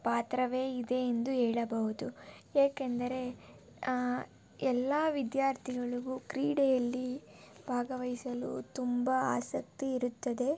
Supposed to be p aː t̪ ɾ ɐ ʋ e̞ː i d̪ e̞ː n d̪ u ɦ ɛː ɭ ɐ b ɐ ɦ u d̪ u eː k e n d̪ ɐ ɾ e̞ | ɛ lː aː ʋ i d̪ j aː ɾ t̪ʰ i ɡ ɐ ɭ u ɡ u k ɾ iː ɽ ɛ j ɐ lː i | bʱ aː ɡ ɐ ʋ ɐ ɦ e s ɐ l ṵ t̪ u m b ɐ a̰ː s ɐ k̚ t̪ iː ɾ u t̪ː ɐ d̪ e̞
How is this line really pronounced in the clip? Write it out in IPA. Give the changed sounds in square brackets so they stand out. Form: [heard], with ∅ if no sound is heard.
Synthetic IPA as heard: p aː t̪ ɾ ɐ ʋ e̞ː i d̪ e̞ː n d̪ u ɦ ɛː ɭ ɐ b ɐ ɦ u d̪ u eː k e n d̪ ɐ ɾ e̞ | ɛ lː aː ʋ i d̪ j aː ɾ t̪ʰ i ɡ ɐ ɭ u ɡ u k ɾ iː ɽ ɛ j ɐ lː i | bʱ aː ɡ ɐ ʋ ɐ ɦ [i] s ɐ l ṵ t̪ u m b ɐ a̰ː s ɐ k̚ t̪ iː ɾ u t̪ː ɐ d̪ e̞